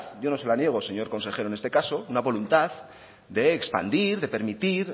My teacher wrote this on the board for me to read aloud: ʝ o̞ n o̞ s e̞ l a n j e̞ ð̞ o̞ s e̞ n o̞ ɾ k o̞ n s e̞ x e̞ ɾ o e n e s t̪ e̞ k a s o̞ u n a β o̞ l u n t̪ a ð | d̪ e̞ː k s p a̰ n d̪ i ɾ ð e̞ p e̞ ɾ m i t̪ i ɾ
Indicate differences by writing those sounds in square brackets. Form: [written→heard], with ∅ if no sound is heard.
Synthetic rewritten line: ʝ o̞ n o̞ s e̞ l a n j e̞ [ð̞→ɣ̞] o̞ s e̞ [n→ɲ] o̞ ɾ k o̞ n s e̞ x e̞ ɾ o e n e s t̪ e̞ k a s o̞ u n a β o̞ l u n t̪ a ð | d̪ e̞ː k s p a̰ n d̪ i ɾ ð e̞ p e̞ ɾ m i t̪ i ɾ